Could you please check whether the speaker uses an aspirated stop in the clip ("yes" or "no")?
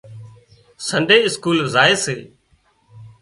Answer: no